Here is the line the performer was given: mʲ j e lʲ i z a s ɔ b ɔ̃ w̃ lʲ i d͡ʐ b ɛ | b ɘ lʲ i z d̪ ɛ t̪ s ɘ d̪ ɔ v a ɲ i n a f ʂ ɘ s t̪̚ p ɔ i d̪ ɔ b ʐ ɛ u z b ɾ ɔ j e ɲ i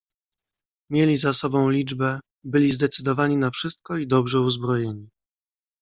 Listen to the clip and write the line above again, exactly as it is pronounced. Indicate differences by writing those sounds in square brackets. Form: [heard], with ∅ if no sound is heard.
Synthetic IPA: mʲ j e lʲ i z a s ɔ b ɔ̃ w̃ lʲ i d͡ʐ b ɛ | b ɘ lʲ i z d̪ ɛ t̪ s ɘ d̪ ɔ v a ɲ i n a f ʂ ɘ s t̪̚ [k] ɔ i d̪ ɔ b ʐ ɛ u z b ɾ ɔ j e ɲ i